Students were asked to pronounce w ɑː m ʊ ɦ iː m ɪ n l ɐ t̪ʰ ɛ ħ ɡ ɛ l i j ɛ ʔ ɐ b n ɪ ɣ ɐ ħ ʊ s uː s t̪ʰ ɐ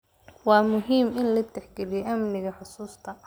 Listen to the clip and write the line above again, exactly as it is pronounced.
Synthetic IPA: w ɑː m ʊ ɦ iː m ɪ n l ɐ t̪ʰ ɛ ħ ɡ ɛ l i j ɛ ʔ ɐ m n ɪ ɣ ɐ ħ ʊ s uː s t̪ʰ ɐ